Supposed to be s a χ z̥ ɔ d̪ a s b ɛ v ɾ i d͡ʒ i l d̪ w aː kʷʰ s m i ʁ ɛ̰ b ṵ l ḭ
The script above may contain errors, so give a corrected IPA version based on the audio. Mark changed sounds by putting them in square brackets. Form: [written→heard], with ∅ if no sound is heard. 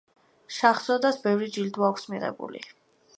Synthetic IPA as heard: [s→ʃ] a χ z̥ ɔ d̪ a s b ɛ v ɾ i d͡ʒ i l d̪ w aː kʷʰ s m i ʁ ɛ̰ b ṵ l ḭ